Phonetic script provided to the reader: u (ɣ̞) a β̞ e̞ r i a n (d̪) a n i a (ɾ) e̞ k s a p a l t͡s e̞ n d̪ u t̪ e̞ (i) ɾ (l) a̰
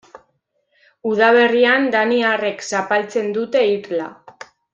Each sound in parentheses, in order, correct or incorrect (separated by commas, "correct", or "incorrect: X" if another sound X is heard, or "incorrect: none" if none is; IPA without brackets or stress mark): incorrect: ð̞, correct, incorrect: r, correct, correct